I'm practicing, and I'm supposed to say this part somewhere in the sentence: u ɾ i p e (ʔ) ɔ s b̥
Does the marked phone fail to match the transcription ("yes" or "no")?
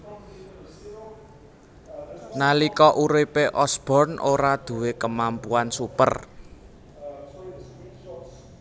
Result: no